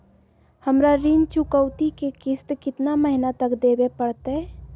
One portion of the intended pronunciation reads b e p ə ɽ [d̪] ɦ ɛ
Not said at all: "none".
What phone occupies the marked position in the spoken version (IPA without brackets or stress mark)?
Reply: t̪